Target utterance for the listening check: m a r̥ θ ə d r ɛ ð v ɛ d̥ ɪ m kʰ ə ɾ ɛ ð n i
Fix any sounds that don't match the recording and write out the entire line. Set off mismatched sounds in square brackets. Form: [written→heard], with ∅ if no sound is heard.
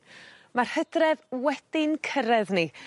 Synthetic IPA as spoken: m a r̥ [θ→h] ə d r ɛ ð [v→w] ɛ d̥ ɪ [m→n] kʰ ə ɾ ɛ ð n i